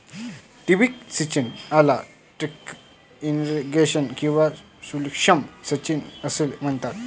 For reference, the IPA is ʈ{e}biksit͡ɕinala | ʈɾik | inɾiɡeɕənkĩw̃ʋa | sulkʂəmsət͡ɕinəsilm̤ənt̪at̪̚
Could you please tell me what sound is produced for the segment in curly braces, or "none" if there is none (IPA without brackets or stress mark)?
i